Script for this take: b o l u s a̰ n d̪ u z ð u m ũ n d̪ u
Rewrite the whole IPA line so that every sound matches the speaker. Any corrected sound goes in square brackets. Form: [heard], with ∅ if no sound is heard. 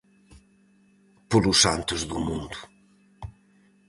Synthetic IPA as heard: [p] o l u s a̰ n [t̪] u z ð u m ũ n d̪ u